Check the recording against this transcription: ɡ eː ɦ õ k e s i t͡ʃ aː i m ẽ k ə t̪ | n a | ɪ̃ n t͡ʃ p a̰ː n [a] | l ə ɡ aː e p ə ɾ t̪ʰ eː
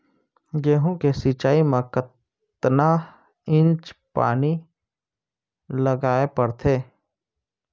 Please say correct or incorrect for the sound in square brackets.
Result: incorrect